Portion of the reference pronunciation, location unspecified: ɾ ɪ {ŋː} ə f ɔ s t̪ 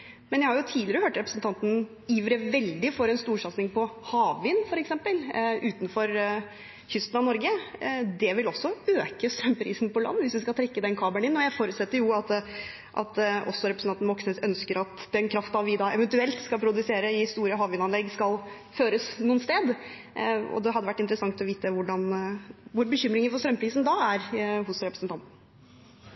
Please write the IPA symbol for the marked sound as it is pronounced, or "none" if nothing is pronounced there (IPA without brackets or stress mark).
ŋ